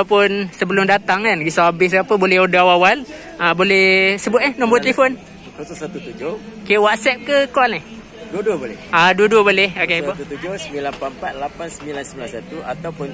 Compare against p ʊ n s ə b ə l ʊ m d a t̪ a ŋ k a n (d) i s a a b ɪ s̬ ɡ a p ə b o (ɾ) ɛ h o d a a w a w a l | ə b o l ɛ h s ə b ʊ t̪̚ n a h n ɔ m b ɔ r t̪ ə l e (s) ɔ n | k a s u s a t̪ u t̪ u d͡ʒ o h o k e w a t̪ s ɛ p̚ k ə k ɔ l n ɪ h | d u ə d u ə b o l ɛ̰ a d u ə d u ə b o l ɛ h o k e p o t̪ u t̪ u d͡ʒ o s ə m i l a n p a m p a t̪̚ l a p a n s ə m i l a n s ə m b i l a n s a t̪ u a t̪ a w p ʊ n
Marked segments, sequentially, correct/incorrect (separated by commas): incorrect, incorrect, incorrect